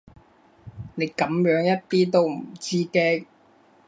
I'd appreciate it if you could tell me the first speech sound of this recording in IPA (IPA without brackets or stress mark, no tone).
n